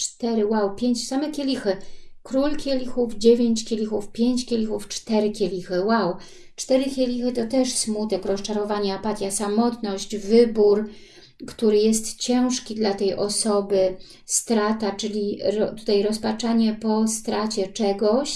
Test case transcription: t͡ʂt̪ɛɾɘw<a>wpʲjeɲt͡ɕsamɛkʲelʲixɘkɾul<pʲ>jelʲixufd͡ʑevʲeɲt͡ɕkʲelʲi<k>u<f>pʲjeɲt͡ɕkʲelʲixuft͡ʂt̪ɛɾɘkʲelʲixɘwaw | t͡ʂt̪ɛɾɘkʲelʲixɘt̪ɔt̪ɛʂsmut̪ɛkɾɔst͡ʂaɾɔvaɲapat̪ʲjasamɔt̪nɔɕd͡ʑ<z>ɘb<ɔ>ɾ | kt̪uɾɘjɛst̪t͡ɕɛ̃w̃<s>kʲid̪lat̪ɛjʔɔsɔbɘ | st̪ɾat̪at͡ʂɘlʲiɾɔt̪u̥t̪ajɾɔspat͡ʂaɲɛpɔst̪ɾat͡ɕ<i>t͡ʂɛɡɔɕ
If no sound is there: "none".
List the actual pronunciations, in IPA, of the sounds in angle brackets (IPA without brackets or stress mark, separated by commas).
a, kʲ, x, f, v, u, ʂ, ɛ